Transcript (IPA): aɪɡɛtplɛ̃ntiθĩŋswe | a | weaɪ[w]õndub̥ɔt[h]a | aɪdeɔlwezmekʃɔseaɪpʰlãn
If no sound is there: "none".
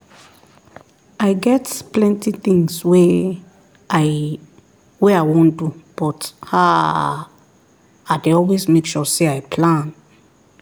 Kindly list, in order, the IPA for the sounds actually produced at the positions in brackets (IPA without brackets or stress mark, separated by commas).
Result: w, h